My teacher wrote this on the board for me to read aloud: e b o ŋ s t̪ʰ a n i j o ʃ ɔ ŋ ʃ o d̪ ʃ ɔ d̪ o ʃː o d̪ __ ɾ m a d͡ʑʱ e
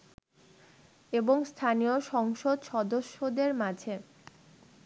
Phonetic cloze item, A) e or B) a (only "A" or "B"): A